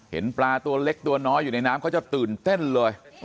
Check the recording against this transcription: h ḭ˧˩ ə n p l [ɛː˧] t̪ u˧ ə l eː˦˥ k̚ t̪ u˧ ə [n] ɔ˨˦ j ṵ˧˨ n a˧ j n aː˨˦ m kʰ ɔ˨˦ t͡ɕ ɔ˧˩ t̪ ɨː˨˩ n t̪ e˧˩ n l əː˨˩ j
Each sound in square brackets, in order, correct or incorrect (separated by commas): incorrect, correct